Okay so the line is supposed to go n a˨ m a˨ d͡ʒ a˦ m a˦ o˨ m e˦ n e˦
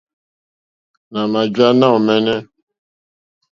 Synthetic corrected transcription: n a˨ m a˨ d͡ʒ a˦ n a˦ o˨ m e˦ n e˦